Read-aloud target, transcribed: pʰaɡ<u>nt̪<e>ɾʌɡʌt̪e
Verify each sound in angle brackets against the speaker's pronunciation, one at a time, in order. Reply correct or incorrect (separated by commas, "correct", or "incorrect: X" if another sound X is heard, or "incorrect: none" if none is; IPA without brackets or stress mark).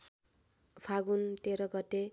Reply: correct, correct